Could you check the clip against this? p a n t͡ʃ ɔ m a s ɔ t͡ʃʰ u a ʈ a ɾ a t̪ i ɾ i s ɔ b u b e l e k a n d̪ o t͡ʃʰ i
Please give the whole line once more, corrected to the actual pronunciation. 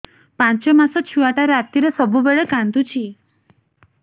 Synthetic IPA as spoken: p a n t͡ʃ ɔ m a s ɔ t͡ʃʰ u a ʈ a ɾ a t̪ i ɾ e s ɔ b u b e ɭ e k a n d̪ u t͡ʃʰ i